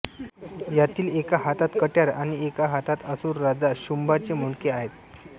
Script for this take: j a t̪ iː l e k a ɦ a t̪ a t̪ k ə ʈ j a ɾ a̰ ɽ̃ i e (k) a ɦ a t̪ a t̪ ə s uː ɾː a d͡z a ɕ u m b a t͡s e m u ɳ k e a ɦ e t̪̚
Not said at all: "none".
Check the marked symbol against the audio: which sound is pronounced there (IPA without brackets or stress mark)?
k